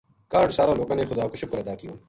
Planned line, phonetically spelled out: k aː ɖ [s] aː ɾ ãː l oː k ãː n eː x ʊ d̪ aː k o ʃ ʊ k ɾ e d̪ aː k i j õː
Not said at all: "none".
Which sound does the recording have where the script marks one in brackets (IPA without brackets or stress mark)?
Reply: s